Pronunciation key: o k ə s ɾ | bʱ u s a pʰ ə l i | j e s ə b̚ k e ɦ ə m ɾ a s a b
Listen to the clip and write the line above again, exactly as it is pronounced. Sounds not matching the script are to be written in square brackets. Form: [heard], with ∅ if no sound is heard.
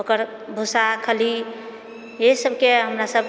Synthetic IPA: o k ə [∅] ɾ | bʱ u s a [kʰ] ə l i | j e s ə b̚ k e ɦ ə m ɾ a s [ə] b